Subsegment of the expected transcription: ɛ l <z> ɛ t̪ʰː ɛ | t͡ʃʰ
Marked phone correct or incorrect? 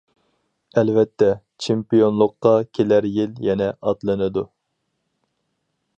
incorrect